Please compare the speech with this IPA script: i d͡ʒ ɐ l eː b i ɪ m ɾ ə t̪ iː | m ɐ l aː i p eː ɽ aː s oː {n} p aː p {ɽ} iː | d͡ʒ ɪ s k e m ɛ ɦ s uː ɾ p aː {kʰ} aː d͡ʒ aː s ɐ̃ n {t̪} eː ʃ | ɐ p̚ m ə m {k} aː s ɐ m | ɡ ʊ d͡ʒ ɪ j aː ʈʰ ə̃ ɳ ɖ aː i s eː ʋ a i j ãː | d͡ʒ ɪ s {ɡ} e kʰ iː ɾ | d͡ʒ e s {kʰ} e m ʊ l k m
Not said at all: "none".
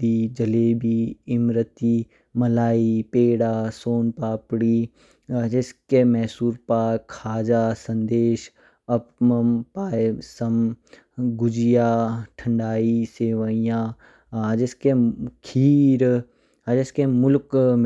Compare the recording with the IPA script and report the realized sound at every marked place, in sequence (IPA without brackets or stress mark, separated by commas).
n, ɽ, kʰ, d̪, p, k, k